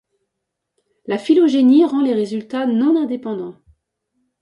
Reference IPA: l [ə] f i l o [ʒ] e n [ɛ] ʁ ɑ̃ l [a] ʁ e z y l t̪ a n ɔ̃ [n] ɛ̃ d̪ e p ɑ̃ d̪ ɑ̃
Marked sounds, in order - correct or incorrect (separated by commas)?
incorrect, correct, incorrect, incorrect, correct